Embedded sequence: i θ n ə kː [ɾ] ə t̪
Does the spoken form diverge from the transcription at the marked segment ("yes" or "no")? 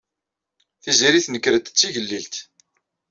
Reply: no